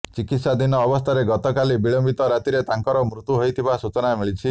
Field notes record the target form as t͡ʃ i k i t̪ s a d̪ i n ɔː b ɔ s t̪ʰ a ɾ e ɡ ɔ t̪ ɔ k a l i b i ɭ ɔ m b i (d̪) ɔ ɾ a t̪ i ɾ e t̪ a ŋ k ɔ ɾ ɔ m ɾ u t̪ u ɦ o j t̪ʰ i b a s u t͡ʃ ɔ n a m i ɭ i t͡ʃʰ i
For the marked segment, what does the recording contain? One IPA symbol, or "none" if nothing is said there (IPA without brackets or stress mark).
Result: t̪